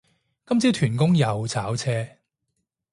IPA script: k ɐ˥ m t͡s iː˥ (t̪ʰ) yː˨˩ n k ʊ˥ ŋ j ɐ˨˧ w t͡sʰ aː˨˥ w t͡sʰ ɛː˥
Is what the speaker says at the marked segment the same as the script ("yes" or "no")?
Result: yes